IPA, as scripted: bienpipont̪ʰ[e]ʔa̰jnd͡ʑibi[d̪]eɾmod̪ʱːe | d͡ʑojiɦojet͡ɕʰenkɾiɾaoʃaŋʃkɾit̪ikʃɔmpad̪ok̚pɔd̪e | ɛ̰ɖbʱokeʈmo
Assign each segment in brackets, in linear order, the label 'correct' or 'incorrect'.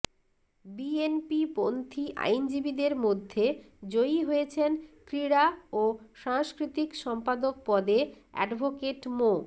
incorrect: i, correct

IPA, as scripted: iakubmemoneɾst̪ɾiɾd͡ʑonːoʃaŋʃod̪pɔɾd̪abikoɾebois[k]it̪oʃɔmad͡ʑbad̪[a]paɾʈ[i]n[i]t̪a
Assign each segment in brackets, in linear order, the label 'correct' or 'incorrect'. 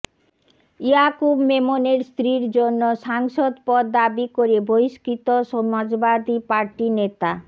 correct, incorrect: i, correct, incorrect: e

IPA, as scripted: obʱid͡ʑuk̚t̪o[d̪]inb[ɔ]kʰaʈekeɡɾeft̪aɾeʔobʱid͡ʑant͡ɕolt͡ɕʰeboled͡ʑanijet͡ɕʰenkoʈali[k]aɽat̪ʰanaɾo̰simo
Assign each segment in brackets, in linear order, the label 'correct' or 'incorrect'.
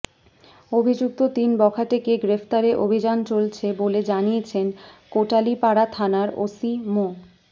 incorrect: t̪, correct, incorrect: p

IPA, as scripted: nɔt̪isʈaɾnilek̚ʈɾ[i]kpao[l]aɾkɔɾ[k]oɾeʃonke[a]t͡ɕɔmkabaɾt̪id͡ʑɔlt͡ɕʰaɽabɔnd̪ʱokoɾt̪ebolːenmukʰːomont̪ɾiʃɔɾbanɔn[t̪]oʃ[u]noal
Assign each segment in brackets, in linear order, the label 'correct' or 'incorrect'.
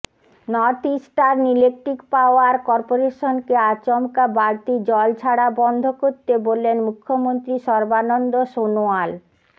correct, incorrect: none, incorrect: p, correct, incorrect: d̪, incorrect: o

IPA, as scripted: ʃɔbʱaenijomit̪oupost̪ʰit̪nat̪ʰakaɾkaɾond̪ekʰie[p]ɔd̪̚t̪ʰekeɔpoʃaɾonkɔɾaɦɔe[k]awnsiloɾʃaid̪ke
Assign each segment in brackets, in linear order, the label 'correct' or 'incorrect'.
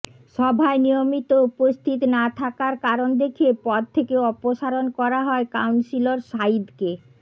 correct, correct

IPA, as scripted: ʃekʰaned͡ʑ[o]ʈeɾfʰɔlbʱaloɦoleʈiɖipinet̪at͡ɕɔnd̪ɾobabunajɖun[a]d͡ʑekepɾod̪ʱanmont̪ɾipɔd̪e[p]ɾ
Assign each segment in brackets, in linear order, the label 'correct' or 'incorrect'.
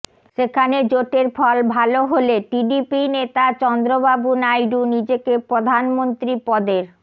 correct, incorrect: i, incorrect: none

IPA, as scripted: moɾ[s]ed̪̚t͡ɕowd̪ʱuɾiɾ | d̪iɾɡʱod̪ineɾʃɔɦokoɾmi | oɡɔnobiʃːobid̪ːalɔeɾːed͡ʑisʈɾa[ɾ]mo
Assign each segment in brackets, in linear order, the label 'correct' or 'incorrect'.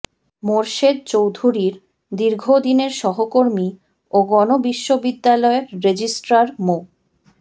incorrect: ʃ, correct

